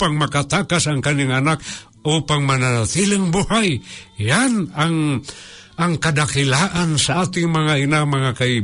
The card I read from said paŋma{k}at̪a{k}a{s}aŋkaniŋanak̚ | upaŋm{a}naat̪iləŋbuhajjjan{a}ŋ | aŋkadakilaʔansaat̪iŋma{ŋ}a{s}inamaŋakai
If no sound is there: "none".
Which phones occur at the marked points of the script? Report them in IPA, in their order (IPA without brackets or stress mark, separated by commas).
k, k, s, a, a, ŋ, none